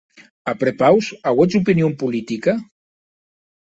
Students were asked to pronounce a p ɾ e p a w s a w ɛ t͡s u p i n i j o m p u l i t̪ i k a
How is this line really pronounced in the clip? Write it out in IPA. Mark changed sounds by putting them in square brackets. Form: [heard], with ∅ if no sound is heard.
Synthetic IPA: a p ɾ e p a w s a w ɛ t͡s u p i n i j o m p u l i t̪ i k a